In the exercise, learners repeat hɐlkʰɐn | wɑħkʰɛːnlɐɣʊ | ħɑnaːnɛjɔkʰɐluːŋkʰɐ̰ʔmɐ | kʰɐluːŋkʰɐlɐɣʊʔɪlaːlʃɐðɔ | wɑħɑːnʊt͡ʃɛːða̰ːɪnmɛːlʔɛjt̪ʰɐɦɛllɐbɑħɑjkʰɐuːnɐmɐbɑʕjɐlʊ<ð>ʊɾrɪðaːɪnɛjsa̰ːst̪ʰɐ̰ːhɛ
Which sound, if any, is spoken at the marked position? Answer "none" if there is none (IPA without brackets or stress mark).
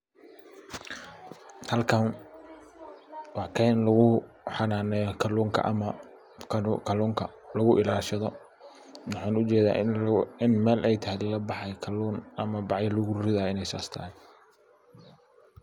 ɣ